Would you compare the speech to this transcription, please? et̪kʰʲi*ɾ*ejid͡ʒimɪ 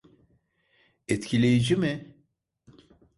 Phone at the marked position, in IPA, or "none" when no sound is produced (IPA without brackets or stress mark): l